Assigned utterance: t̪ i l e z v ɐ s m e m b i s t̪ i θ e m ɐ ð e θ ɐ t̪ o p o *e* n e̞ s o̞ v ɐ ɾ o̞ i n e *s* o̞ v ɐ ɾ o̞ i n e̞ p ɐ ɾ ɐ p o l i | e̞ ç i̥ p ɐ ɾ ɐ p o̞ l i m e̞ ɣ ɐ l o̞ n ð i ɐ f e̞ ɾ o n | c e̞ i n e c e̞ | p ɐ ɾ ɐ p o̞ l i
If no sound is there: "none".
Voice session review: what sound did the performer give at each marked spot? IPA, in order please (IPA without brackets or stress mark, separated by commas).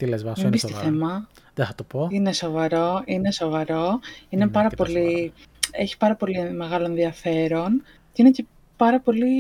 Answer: i, s